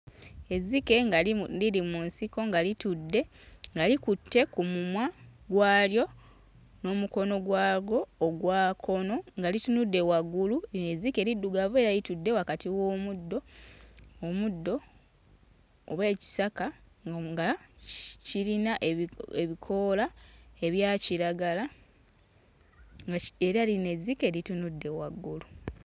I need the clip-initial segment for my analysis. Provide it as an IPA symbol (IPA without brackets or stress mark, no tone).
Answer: e̞